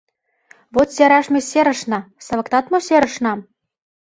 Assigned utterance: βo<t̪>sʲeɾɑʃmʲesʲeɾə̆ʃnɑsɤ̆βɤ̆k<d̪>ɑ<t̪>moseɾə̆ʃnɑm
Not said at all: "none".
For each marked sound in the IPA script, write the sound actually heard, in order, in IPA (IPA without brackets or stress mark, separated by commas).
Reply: t̪, t̪, t̪